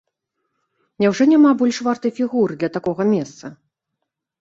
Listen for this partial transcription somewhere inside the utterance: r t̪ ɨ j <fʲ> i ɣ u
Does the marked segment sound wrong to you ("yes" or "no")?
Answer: no